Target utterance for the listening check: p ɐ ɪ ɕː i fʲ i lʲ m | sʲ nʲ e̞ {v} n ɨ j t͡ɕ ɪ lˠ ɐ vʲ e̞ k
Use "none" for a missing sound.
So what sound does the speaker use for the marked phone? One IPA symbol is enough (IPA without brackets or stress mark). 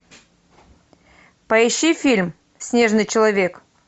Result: ʐ